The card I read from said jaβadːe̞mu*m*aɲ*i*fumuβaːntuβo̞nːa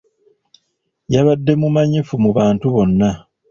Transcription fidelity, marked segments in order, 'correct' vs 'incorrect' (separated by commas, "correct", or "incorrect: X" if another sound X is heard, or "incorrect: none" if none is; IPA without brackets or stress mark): correct, correct